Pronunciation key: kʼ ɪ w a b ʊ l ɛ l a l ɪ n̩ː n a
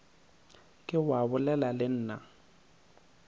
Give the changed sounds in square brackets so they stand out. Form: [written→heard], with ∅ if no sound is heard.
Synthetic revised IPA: kʼ ɪ w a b ʊ l ɛ l a l ɪ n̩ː n a